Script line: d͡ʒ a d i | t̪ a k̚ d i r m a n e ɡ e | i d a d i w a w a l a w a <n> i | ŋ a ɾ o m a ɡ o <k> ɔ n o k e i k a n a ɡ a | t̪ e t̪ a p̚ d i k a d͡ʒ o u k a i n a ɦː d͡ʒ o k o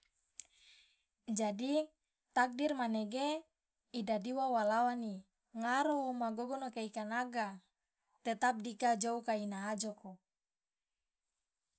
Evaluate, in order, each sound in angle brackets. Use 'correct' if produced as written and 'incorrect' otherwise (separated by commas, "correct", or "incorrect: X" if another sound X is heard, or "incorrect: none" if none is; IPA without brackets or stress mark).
correct, incorrect: ɡ